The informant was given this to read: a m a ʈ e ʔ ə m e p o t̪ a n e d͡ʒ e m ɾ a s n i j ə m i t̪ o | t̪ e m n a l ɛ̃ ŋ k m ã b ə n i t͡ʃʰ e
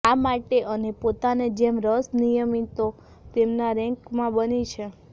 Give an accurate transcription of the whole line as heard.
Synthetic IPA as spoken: a m a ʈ e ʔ ə n e p o t̪ a n e d͡ʒ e m ɾ ə s n i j ə m i t̪ o | t̪ e m n a ɾ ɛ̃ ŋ k m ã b ə n i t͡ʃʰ e

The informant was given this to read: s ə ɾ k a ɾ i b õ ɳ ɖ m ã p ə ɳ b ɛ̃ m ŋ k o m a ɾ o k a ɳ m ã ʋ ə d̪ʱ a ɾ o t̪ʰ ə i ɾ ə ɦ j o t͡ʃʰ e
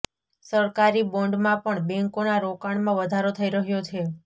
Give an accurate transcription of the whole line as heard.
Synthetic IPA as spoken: s ə ɾ k a ɾ i b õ ɳ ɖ m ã p ə ɳ b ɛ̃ ŋ k o n a ɾ o k a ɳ m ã ʋ ə d̪ʱ a ɾ o t̪ʰ ə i ɾ ə ɦ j o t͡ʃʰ e

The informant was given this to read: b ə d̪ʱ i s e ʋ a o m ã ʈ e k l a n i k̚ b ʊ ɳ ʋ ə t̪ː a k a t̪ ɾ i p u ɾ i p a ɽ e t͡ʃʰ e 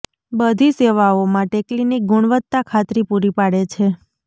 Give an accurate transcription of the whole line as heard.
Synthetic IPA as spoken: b ə d̪ʱ i s e ʋ a o m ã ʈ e k l i n i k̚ ɡ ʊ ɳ ʋ ə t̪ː a kʰ a t̪ ɾ i p u ɾ i p a ɽ e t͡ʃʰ e

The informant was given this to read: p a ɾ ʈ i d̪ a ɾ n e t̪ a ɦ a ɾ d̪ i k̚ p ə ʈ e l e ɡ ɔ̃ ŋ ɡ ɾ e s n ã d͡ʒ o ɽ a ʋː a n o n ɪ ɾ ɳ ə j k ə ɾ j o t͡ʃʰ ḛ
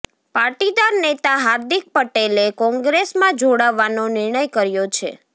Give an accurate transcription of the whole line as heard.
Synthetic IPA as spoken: p a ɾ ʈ i d̪ a ɾ n e t̪ a ɦ a ɾ d̪ i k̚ p ə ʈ e l e k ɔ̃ ŋ ɡ ɾ e s m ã d͡ʒ o ɽ a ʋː a n o n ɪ ɾ ɳ ə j k ə ɾ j o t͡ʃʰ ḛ

